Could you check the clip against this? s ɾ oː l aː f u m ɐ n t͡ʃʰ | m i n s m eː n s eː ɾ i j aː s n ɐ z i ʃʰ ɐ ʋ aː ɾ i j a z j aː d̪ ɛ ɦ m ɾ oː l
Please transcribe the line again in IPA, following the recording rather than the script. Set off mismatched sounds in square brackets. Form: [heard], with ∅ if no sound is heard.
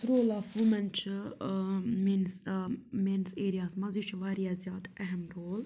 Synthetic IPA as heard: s ɾ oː l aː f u m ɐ n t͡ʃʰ | m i n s m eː n s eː ɾ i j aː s [m] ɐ z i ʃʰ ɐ ʋ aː ɾ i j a z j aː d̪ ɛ ɦ m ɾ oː l